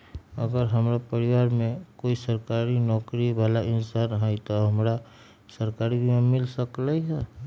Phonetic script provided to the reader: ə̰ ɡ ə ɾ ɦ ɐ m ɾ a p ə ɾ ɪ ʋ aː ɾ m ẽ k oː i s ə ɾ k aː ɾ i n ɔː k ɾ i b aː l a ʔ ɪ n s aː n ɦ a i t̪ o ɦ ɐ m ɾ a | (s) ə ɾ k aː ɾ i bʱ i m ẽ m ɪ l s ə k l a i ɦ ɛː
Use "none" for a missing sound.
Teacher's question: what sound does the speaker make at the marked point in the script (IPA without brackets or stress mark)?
s